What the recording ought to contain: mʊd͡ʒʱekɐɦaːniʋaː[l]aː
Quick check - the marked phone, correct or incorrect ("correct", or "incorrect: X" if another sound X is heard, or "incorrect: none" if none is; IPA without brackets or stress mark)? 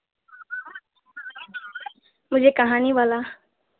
correct